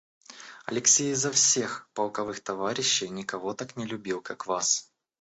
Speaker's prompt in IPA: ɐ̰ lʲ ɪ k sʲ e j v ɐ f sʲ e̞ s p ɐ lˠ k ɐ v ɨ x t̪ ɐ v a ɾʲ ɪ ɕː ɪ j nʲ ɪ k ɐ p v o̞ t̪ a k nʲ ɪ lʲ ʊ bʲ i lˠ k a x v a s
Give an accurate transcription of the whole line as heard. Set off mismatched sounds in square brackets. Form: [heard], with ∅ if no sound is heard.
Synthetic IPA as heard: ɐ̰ lʲ ɪ k sʲ e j [z] ɐ f sʲ e̞ [x] p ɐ lˠ k ɐ v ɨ x t̪ ɐ v a ɾʲ ɪ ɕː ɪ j nʲ ɪ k ɐ [∅] v o̞ t̪ a k nʲ ɪ lʲ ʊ bʲ i lˠ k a [k] v a s